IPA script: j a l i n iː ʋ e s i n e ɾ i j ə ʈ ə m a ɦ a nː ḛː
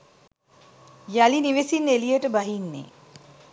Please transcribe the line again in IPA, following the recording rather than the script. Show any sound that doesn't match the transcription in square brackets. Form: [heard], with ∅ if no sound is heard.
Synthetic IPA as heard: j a l i n [i] ʋ e s i n e [l] i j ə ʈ ə [b] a ɦ [i] nː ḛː